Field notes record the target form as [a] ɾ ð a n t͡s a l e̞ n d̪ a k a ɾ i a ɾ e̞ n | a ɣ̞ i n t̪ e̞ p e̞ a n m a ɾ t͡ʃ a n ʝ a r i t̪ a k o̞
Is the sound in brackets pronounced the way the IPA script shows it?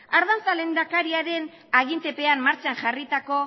yes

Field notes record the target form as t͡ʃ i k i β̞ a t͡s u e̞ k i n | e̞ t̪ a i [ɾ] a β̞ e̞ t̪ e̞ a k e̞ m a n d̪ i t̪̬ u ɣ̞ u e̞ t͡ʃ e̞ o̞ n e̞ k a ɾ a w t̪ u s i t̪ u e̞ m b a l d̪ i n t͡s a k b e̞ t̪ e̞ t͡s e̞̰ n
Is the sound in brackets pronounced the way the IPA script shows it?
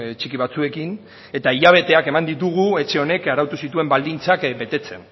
no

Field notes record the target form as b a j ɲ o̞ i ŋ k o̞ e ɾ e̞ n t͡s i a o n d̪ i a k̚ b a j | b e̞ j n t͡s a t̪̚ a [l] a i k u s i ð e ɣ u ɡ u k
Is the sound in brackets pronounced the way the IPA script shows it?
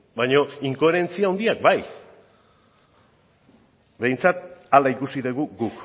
yes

